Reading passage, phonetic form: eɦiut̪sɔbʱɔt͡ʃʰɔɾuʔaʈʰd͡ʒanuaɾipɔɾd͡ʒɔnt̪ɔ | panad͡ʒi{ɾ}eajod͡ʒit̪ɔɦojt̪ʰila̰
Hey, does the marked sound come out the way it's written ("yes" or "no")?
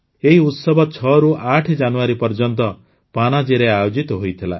yes